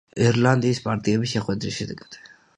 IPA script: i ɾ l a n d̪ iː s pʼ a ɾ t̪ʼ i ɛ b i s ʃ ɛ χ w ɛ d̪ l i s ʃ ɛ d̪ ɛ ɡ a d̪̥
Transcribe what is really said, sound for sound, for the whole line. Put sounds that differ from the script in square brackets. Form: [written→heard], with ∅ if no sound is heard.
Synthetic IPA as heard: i ɾ l a n d̪ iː s pʼ a ɾ t̪ʼ i ɛ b i s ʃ ɛ χ w ɛ d̪ [l→ɾ] i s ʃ ɛ d̪ ɛ ɡ a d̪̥